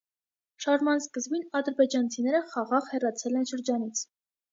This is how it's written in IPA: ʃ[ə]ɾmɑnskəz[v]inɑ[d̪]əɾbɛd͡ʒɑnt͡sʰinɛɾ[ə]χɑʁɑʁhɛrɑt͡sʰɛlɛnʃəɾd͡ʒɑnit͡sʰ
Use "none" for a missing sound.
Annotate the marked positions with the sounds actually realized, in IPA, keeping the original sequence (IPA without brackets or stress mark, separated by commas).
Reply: ɑ, b, d̪, ə